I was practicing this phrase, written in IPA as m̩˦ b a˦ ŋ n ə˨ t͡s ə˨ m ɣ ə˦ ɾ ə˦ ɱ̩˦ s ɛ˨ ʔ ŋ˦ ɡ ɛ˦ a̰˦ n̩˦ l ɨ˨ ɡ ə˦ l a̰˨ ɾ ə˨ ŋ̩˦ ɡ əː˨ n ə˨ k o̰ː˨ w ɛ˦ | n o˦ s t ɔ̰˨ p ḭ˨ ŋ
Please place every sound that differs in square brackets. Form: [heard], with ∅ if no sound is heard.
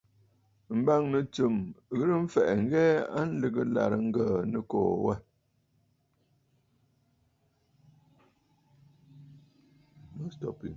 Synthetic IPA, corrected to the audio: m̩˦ b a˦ ŋ n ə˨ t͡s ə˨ m ɣ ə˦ ɾ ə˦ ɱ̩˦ [f] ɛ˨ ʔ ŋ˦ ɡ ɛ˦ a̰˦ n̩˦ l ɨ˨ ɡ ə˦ l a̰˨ ɾ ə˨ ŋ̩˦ ɡ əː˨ n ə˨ k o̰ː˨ w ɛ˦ | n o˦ s t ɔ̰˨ p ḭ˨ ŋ